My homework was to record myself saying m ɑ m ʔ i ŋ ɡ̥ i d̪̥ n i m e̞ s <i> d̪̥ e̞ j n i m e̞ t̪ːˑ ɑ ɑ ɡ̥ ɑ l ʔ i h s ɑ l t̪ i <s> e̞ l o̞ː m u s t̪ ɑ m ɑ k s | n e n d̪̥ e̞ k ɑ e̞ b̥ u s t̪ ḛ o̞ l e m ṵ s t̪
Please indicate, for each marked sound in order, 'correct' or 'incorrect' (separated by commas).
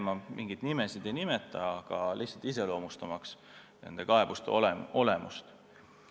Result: correct, correct